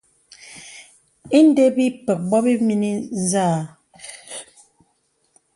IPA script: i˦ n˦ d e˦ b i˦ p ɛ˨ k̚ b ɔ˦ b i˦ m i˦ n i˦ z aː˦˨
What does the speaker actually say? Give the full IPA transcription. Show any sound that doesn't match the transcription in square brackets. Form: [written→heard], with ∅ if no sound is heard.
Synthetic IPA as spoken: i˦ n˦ d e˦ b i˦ p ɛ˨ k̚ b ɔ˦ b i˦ m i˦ n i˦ z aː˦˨